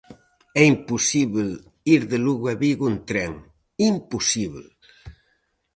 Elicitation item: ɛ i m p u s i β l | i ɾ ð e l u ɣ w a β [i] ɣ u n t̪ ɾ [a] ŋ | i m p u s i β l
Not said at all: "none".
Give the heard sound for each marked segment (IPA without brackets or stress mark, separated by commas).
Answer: i, ɛ